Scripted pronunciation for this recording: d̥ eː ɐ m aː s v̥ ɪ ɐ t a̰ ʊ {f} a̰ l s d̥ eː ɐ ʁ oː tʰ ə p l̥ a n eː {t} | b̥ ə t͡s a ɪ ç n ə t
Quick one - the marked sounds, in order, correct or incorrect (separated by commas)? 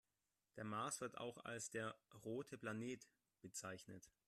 incorrect, correct